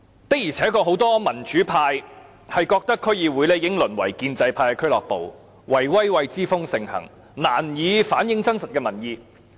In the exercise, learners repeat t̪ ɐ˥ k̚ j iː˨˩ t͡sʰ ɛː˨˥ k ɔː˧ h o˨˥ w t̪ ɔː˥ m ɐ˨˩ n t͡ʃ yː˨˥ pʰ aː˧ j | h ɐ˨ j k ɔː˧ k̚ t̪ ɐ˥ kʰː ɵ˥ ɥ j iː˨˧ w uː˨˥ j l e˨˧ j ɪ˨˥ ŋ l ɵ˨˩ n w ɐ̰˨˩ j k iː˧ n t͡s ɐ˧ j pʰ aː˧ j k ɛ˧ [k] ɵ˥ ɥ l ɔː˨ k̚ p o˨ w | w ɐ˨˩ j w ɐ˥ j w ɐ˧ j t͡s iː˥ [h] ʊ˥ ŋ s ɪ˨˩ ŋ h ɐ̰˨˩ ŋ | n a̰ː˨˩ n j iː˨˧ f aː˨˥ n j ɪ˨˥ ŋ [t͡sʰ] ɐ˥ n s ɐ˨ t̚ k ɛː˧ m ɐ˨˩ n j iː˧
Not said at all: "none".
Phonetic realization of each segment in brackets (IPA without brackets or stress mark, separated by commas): kʰ, f, t͡s